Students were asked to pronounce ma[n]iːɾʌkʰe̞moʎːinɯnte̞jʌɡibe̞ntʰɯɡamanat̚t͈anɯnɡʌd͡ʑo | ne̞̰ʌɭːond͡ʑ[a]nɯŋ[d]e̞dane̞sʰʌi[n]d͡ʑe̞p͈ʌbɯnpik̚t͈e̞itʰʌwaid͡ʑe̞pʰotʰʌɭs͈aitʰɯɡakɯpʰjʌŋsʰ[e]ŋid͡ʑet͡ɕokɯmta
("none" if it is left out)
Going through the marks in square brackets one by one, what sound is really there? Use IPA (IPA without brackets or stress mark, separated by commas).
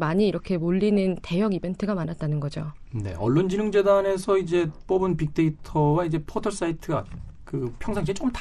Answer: ɲ, i, d͡ʑ, none, a